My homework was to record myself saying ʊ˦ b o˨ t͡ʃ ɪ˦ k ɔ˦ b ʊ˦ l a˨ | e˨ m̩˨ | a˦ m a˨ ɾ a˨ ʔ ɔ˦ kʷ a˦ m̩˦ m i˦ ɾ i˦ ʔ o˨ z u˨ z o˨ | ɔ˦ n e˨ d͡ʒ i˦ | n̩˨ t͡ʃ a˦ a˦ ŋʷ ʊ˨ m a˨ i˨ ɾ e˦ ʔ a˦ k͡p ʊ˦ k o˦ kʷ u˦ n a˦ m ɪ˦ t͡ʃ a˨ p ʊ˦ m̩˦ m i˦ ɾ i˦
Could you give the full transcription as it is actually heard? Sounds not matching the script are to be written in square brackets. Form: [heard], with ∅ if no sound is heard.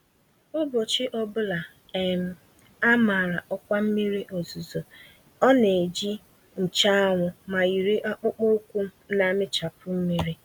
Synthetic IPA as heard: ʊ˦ b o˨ t͡ʃ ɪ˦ [ʔ] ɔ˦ b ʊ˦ l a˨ | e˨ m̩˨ | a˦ m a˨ ɾ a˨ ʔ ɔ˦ kʷ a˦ m̩˦ m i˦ ɾ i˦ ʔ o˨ z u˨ z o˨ | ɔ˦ n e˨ d͡ʒ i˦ | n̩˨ t͡ʃ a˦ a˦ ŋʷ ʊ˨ m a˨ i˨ ɾ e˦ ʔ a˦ k͡p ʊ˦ [k͡p] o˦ kʷ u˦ n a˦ m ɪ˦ t͡ʃ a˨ p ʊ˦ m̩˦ m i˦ ɾ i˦